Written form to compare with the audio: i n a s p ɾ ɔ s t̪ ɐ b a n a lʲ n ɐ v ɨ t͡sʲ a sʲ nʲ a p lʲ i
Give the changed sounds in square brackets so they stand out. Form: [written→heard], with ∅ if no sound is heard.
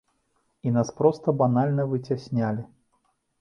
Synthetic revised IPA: i n a s p ɾ ɔ s t̪ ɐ b a n a lʲ n ɐ v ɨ t͡sʲ a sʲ nʲ a [p→∅] lʲ i